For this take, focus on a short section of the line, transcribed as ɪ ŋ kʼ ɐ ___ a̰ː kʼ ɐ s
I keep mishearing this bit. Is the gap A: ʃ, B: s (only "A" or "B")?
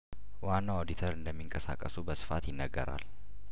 B